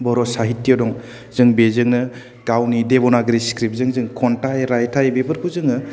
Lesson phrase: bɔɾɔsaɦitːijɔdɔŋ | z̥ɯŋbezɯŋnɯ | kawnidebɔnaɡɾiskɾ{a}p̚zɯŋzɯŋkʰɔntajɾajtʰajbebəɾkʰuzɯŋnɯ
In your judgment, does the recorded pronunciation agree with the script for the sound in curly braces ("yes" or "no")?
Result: no